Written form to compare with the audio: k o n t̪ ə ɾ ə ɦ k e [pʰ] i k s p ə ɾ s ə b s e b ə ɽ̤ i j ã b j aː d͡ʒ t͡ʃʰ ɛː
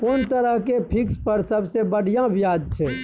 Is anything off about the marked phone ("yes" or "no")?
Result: no